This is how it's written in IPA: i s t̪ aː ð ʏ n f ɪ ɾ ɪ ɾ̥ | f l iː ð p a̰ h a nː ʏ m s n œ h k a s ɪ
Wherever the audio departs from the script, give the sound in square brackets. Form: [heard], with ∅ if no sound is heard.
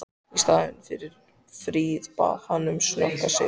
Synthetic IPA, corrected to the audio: i s t̪ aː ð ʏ n f ɪ ɾ ɪ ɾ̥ | f [ɾ] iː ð p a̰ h a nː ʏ m s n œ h k a s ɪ